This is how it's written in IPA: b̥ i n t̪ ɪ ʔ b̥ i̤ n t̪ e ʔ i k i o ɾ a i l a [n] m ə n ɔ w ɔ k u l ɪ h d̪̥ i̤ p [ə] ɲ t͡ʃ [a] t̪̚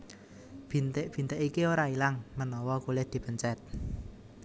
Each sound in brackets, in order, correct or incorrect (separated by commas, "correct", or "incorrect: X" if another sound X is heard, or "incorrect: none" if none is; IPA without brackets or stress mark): incorrect: ŋ, correct, incorrect: ɛ